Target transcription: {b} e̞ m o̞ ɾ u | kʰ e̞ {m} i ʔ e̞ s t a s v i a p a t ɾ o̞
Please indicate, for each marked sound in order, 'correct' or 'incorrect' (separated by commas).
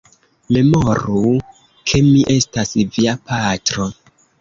incorrect, correct